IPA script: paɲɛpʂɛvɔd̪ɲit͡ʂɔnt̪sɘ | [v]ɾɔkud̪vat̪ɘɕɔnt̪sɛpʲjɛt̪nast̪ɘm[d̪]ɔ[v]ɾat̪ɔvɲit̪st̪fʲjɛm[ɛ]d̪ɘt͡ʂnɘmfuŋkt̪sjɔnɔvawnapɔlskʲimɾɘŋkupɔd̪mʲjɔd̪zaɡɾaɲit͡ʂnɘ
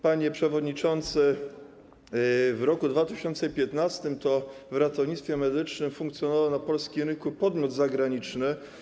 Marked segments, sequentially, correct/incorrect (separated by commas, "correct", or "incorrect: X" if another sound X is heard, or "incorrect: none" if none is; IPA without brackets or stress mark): correct, incorrect: t̪, correct, correct